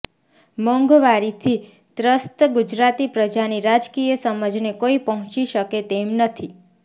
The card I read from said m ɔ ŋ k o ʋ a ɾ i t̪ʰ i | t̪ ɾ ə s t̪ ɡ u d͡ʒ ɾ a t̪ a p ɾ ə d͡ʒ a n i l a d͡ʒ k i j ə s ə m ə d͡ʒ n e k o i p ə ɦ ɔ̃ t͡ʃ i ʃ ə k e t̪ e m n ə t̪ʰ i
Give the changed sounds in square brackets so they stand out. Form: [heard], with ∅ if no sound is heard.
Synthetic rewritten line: m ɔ ŋ [ɡ] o ʋ a ɾ i t̪ʰ i | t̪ ɾ ə s t̪ ɡ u d͡ʒ ɾ a t̪ [i] p ɾ ə d͡ʒ a n i [ɾ] a d͡ʒ k i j ə s ə m ə d͡ʒ n e k o i p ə ɦ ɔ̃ t͡ʃ i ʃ ə k e t̪ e m n ə t̪ʰ i